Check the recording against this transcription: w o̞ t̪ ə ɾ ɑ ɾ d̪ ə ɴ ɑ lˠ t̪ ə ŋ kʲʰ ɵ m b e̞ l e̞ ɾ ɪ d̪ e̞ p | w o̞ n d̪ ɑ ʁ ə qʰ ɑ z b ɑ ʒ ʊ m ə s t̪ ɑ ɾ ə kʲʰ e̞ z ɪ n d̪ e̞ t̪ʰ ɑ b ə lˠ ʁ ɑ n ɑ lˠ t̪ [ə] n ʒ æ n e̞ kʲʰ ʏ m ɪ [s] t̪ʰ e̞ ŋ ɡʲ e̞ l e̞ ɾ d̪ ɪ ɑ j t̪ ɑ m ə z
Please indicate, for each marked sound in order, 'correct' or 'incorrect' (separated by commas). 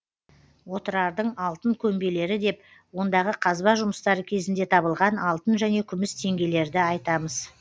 correct, correct